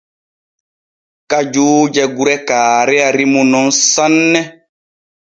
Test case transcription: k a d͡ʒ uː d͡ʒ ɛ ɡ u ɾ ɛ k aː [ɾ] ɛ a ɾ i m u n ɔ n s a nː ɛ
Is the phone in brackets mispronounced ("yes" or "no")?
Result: no